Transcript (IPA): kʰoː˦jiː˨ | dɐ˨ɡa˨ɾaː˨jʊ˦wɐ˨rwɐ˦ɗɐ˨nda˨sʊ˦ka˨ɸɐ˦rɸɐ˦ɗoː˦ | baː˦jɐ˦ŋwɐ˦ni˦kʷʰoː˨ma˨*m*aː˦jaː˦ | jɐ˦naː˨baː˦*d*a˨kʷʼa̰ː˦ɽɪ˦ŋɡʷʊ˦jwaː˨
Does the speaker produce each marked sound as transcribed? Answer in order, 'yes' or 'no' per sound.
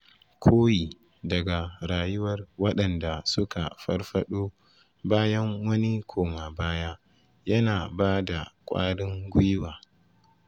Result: no, yes

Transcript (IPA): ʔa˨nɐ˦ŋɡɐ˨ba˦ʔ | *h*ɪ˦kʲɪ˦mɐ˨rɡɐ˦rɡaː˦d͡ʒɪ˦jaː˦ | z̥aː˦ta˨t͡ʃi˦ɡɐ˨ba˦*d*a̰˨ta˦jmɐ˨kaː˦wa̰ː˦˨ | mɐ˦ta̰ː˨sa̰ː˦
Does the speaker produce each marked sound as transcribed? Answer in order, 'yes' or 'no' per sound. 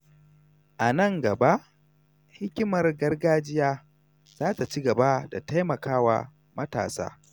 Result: yes, yes

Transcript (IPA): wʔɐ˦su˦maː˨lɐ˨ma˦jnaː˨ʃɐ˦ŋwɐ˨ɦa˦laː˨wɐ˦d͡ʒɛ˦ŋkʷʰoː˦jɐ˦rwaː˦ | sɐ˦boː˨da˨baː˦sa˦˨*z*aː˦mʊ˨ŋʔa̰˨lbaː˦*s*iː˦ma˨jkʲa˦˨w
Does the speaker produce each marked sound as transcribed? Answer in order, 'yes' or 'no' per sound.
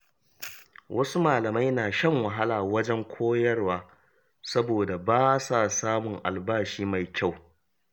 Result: no, no

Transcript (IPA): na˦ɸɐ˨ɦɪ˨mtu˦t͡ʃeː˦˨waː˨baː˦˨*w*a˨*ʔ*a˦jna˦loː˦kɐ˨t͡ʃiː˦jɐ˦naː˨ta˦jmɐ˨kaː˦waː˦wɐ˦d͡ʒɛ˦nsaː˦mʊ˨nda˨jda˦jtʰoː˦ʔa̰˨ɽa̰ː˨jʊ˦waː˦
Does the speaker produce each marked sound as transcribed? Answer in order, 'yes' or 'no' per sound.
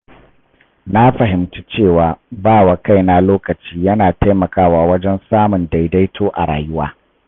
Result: yes, no

